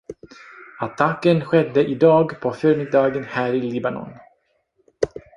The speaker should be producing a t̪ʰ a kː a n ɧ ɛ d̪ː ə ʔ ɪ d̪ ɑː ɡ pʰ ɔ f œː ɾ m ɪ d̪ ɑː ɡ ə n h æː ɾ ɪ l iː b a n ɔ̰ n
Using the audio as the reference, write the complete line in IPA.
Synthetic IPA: a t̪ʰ a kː ə n ɧ ɛ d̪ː ə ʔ ɪ d̪ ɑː ɡ pʰ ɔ f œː ɾ m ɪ d̪ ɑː ɡ ə n h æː ɾ ɪ l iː b a n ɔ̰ n

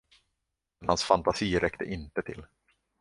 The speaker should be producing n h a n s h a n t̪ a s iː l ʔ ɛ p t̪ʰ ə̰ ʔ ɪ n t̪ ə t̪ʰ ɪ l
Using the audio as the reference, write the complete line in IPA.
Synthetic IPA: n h a n s f a n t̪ a s iː ɾ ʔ ɛ k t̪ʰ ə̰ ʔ ɪ n t̪ ə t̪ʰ ɪ l

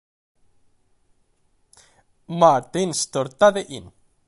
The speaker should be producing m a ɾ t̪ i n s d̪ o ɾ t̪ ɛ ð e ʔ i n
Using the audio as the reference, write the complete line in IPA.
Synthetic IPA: m a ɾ t̪ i n s t̪ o ɾ t̪ a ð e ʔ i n

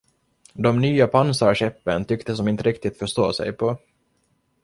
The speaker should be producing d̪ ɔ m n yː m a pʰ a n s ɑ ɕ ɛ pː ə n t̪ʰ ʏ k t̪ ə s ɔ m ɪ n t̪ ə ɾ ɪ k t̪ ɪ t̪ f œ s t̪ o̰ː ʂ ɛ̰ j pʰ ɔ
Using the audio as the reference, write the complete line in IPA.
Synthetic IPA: d̪ ɔ m n yː a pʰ a n s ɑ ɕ ɛ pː ə n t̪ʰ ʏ k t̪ ə s ɔ m ɪ n t̪ ə ɾ ɪ k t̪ ɪ t̪ f œ ʂ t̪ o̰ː s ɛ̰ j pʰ ɔ

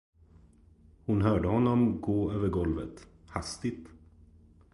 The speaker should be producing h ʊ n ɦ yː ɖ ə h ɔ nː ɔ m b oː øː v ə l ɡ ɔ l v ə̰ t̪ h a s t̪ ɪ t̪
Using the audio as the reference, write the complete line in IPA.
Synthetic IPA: h ʊ n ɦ œː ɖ ə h ɔ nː ɔ m ɡ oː øː v ə ɾ ɡ ɔ l v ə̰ t̪ h a s t̪ ɪ t̪

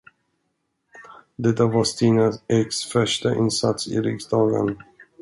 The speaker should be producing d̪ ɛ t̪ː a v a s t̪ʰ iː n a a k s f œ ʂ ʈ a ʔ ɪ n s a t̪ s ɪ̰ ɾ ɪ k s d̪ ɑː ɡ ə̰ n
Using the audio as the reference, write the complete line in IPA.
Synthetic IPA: d̪ ɛ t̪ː a v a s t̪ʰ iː n a ɛ k s f œ ʂ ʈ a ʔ ɪ n s a t̪ s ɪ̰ ɾ ɪ k s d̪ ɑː ɡ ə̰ n

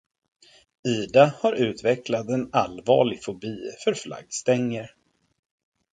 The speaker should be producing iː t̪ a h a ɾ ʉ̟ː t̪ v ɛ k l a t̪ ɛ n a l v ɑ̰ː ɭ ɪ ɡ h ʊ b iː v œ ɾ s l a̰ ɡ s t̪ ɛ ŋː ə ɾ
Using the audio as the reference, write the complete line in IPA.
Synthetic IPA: iː d̪ a h a ɾ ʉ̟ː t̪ v ɛ k l a t̪ ɛ n a l v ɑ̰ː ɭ ɪ ɡ f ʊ b iː f œ ɾ f l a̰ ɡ s t̪ ɛ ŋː ə ɾ

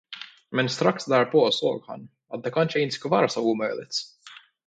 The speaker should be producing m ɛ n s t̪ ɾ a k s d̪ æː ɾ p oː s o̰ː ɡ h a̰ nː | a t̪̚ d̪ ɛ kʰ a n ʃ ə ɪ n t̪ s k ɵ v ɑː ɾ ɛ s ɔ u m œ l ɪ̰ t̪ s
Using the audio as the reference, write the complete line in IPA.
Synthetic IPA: m ɛ n s t̪ ɾ a k s d̪ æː ɾ p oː s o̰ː ɡ h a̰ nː | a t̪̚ d̪ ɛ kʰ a n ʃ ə ɪ n t̪ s k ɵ v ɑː ɾ a s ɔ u m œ l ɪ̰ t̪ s

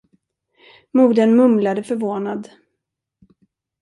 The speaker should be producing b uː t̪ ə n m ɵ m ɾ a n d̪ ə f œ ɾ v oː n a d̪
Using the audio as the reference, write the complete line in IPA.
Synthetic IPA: m uː d̪ ə n m ɵ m l a d̪ ə f œ ɾ v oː n a d̪

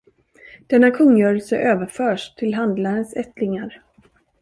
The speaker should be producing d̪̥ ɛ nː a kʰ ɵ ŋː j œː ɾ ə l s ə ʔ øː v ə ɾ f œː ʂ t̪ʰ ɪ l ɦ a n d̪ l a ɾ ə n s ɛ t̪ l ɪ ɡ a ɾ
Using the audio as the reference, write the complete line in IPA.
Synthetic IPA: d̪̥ ɛ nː a kʰ ɵ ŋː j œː ɾ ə l s ə ʔ øː v ə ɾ f œː ʂ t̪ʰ ɪ l ɦ a n d̪ l a ɾ ə n s ɛ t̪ l ɪ ŋ a ɾ

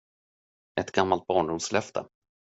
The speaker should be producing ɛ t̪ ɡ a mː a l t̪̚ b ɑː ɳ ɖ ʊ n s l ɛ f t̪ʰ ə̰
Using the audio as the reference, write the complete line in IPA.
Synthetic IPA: ɛ t̪ ɡ a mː a l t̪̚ b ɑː ɳ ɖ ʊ m s l ɛ f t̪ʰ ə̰

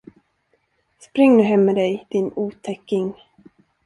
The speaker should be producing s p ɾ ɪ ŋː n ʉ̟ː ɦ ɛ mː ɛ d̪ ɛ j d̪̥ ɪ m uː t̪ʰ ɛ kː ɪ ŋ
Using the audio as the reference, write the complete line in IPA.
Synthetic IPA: s p ɾ ɪ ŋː n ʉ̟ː ɦ ɛ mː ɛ d̪ ɛ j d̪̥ ɪ n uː t̪ʰ ɛ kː ɪ ŋ

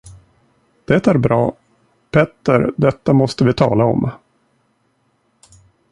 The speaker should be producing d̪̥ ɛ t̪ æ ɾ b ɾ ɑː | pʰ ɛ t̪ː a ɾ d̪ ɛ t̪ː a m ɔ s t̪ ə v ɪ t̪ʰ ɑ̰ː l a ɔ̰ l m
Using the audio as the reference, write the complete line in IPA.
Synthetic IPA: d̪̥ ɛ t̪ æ ɾ b ɾ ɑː | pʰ ɛ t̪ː ə ɾ d̪ ɛ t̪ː a m ɔ s t̪ ə v ɪ t̪ʰ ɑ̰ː l a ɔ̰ m

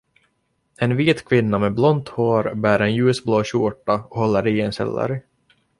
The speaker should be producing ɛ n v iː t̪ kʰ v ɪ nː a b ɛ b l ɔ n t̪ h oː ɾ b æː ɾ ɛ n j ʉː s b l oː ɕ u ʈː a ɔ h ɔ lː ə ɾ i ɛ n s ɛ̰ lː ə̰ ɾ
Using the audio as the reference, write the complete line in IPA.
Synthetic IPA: ɛ n v iː t̪ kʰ v ɪ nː a m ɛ b l ɔ n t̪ h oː ɾ b æː ɾ ɛ n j ʉː s b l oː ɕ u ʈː a ɔ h ɔ lː ə ɾ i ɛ n s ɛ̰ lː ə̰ ɾ

